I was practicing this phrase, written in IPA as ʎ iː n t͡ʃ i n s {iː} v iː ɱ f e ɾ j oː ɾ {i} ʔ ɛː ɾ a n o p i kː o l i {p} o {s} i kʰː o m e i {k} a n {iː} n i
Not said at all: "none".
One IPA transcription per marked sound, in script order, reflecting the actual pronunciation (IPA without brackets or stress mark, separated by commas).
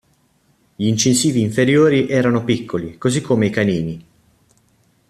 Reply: iː, i, k, z, k, iː